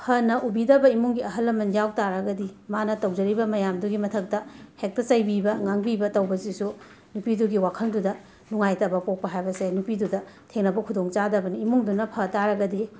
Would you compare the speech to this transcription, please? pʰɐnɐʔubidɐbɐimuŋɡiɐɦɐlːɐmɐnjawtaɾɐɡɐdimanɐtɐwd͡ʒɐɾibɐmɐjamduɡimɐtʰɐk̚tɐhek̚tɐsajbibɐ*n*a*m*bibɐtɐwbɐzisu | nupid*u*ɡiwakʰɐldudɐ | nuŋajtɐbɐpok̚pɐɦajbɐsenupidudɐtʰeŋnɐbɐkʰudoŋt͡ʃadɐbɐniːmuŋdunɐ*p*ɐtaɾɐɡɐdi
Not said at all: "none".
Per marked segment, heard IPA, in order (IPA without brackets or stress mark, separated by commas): ŋ, ŋ, u, pʰ